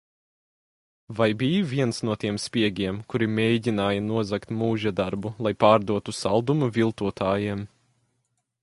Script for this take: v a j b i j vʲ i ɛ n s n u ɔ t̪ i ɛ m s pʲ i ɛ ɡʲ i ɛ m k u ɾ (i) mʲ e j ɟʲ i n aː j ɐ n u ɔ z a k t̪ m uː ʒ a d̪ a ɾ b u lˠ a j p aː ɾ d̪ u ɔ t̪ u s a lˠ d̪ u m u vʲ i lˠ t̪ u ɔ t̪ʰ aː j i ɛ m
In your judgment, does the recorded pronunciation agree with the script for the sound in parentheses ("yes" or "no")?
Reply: yes